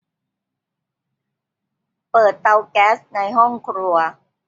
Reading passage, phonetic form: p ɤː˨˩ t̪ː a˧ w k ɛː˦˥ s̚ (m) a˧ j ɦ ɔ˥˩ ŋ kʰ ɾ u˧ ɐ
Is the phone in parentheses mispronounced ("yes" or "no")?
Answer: yes